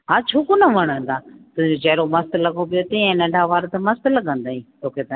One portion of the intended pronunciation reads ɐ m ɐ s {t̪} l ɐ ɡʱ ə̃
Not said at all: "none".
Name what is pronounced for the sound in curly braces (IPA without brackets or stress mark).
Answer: t̪